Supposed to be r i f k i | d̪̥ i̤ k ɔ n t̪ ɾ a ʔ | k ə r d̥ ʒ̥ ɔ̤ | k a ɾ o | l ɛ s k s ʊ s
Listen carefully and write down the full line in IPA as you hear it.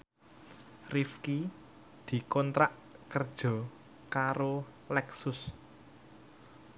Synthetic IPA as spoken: r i f k i | d̪̥ i̤ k ɔ n t̪ ɾ a ʔ | k ə r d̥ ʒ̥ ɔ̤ | k a ɾ o | l ɛ k s ʊ s